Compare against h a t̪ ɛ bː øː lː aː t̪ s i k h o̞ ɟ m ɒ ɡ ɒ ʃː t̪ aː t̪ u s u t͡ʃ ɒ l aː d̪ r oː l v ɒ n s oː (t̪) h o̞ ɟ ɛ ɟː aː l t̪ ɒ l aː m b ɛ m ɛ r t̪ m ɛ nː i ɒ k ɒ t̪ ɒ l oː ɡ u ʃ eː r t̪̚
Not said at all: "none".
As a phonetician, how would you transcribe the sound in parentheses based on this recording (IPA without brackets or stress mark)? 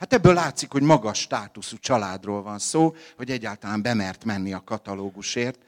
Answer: none